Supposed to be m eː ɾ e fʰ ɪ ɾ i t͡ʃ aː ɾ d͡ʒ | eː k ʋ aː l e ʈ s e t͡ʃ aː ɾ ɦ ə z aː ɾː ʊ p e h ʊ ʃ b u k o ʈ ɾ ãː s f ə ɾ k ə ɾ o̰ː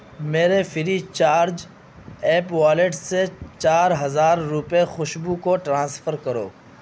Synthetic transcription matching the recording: m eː ɾ e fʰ ɪ ɾ i t͡ʃ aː ɾ d͡ʒ | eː p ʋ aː l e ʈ s e t͡ʃ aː ɾ ɦ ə z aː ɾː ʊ p e x ʊ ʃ b u k o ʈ ɾ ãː s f ə ɾ k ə ɾ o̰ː